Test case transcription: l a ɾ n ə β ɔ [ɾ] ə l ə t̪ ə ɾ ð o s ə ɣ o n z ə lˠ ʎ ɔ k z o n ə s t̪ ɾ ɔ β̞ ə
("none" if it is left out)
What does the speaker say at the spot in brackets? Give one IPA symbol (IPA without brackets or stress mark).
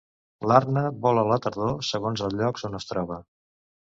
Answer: l